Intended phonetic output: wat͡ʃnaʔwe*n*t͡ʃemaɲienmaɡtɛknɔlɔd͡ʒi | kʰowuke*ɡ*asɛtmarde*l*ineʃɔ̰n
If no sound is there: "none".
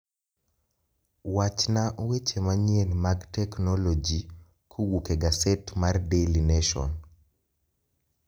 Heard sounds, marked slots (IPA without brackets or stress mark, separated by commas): none, ɡ, l